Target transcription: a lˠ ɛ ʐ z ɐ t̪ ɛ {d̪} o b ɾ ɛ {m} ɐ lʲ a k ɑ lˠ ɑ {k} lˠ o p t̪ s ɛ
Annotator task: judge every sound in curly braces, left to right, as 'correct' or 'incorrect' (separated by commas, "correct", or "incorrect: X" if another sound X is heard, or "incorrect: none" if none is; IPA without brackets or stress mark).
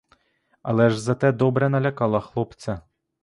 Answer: correct, incorrect: n, incorrect: x